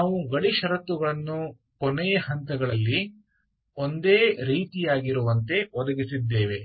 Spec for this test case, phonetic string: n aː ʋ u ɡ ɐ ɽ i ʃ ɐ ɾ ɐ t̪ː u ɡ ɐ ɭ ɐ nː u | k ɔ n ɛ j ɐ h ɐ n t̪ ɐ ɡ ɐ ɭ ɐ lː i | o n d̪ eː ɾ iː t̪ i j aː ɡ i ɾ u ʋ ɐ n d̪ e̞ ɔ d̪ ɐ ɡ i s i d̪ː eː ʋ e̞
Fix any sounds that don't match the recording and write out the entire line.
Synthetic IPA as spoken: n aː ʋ u ɡ ɐ ɽ i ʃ ɐ ɾ ɐ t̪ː u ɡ ɐ ɭ ɐ nː u | k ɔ n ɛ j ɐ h ɐ n t̪ ɐ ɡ ɐ ɭ ɐ lː i | o n d̪ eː ɾ iː t̪ i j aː ɡ i ɾ u ʋ ɐ n t̪ e̞ ɔ d̪ ɐ ɡ i s i d̪ː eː ʋ e̞